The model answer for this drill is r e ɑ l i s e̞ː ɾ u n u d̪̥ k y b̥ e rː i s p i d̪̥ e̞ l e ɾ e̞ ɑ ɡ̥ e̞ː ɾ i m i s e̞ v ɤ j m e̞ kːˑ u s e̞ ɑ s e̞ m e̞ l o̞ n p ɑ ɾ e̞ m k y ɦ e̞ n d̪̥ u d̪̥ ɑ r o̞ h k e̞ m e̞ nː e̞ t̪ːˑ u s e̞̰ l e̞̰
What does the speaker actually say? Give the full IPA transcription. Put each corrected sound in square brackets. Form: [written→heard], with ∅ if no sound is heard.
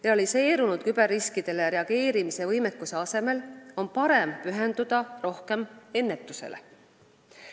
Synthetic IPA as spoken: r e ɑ l i s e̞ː ɾ u n u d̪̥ k y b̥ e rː i s [p→k] i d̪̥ e̞ l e ɾ e̞ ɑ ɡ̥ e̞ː ɾ i m i s e̞ v ɤ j m e̞ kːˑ u s e̞ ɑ s e̞ m e̞ l o̞ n p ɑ ɾ e̞ m [k→p] y ɦ e̞ n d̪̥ u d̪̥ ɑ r o̞ h k e̞ m e̞ nː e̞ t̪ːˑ u s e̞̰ l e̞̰